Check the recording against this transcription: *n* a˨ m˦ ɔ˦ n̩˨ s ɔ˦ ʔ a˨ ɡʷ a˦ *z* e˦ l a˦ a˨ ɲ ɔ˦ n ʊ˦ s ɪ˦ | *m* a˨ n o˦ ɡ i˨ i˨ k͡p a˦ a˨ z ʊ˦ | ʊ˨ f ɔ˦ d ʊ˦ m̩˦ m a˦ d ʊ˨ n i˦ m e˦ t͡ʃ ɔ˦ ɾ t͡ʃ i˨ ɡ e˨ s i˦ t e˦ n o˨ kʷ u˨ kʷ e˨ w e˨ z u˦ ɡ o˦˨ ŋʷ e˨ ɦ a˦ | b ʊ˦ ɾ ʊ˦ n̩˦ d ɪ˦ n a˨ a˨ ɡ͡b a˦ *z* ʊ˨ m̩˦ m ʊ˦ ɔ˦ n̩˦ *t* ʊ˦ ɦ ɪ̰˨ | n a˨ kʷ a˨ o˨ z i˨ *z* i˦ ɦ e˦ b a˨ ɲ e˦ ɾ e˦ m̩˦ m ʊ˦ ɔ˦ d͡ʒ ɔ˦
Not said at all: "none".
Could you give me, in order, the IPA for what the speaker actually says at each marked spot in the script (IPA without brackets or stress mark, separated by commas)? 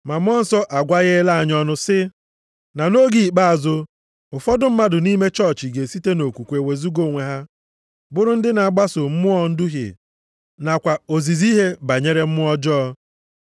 m, ɣ, n, s, d, z